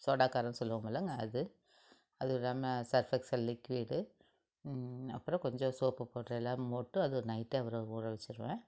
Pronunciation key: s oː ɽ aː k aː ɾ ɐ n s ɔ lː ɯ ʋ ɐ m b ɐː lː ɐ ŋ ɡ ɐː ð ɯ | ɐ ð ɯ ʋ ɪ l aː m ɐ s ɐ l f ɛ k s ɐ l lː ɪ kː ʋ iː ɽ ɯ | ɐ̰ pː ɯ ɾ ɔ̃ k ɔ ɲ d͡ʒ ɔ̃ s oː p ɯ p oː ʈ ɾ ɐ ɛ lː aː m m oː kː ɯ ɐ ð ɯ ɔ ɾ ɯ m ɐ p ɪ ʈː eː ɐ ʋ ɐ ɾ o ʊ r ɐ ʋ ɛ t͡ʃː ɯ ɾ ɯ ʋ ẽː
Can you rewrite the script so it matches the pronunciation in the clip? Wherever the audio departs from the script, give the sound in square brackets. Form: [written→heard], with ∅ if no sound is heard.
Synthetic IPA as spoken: s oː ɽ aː k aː ɾ ɐ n s ɔ lː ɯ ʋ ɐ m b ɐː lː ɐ ŋ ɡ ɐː ð ɯ | ɐ ð ɯ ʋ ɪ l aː m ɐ s ɐ [l→ɾ] f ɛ k s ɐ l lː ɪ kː ʋ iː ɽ ɯ | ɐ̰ pː ɯ ɾ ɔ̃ k ɔ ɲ d͡ʒ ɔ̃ s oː p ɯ p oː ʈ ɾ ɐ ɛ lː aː m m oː [kː→ʈː] ɯ ɐ ð ɯ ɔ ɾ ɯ [m→n] ɐ [p→∅] ɪ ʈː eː ɐ ʋ ɐ ɾ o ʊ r ɐ ʋ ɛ t͡ʃː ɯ ɾ ɯ ʋ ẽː